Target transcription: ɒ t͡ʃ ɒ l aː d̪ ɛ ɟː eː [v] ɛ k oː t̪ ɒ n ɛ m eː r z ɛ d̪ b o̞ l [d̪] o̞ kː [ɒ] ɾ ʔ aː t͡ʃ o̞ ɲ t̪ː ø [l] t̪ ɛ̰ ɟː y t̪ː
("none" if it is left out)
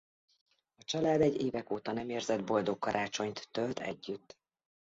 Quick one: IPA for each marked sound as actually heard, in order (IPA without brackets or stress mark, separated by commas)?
v, d̪, ɒ, l